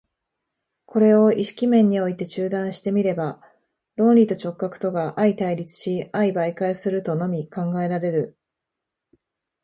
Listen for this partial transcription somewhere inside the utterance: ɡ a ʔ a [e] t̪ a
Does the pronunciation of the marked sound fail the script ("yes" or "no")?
yes